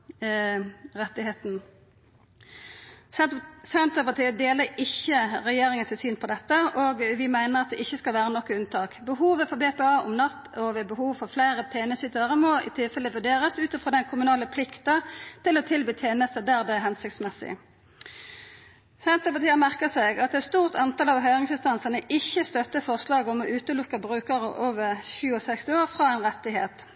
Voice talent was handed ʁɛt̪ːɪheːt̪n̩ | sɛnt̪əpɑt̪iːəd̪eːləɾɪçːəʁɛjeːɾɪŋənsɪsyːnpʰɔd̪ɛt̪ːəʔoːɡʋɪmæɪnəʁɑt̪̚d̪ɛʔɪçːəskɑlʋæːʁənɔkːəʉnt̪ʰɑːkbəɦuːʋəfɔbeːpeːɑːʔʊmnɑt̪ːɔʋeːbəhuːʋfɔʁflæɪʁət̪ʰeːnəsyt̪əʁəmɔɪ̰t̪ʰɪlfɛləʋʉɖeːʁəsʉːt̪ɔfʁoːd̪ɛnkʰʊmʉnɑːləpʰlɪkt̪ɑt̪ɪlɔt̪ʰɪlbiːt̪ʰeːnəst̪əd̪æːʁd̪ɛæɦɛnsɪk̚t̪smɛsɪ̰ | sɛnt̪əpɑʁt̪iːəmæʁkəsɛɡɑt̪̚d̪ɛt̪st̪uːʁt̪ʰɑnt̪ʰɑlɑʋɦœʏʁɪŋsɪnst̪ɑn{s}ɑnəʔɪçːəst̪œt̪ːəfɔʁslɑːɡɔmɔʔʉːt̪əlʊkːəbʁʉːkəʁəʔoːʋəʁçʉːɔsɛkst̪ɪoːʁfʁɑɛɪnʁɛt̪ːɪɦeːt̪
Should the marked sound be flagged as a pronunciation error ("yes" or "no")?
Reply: no